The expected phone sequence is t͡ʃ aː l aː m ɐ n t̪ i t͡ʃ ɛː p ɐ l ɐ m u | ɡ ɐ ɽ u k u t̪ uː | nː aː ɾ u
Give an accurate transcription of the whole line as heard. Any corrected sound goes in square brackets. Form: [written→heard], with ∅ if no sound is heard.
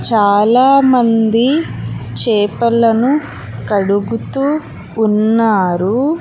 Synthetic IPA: t͡ʃ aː l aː m ɐ n [t̪→d̪] i t͡ʃ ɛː p ɐ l ɐ [m→n] u | [ɡ→k] ɐ ɽ u [k→ɡ] u t̪ uː | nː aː ɾ u